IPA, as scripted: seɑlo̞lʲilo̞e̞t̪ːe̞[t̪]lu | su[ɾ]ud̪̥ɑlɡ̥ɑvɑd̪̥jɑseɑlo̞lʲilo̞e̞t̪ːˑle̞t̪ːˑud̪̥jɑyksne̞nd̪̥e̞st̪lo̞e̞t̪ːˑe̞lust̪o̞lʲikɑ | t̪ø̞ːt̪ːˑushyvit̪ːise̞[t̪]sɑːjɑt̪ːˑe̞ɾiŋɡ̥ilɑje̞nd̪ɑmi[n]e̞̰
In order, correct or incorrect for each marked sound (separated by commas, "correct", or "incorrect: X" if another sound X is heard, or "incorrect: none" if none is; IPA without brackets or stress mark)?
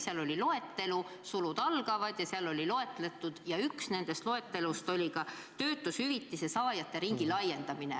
incorrect: none, incorrect: l, incorrect: none, correct